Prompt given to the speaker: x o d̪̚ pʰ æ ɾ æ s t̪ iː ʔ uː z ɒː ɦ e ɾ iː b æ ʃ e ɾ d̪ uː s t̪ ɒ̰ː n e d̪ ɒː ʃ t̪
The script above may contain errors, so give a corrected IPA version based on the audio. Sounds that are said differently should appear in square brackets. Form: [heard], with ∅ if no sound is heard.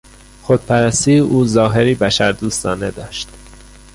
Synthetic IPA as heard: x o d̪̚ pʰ æ ɾ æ s t̪ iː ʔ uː z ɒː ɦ e ɾ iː b æ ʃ [æ] ɾ d̪ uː s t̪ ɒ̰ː n e d̪ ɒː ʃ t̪